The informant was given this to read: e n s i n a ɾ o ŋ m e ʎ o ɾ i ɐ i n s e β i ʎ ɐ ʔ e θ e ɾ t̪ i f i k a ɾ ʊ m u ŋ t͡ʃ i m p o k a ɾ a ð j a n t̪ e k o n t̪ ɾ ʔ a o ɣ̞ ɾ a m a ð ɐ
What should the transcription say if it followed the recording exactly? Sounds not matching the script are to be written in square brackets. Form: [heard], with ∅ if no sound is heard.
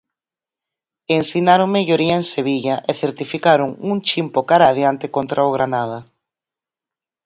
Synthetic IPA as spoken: e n s i n a ɾ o ŋ m e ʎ o ɾ i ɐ [e] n s e β i ʎ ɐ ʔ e θ e ɾ t̪ i f i k a ɾ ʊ [ŋ] u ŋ t͡ʃ i m p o k a ɾ a ð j a n t̪ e k o n t̪ ɾ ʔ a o ɣ̞ ɾ a [n] a ð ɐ